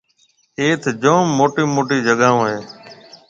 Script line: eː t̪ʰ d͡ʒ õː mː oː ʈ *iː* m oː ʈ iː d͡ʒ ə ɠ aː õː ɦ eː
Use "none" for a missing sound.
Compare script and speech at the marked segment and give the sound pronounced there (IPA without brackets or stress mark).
iː